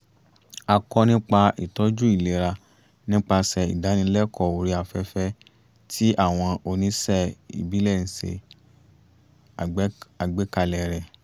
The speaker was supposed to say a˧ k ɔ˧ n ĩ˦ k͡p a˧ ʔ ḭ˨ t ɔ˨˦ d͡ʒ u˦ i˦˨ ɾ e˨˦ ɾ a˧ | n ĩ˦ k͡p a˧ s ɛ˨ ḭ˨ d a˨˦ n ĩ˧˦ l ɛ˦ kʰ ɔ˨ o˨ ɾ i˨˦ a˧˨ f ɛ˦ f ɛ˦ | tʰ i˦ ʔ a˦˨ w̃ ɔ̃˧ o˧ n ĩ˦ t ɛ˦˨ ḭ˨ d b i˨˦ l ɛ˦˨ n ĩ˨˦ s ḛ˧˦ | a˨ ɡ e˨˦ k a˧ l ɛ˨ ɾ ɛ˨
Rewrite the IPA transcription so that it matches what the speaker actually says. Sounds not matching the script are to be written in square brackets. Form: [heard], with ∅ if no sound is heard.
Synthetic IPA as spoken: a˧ k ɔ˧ n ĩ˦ k͡p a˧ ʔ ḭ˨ t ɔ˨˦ d͡ʒ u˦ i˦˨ [l] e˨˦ ɾ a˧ | n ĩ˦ k͡p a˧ s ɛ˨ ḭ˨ d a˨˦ n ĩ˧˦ l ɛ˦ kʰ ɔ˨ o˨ ɾ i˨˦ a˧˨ f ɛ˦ f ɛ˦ | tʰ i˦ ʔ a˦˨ w̃ ɔ̃˧ o˧ n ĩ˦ [s] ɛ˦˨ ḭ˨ [∅] b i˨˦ l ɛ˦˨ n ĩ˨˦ s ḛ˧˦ | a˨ [ɡ͡b] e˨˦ k a˧ l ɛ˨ ɾ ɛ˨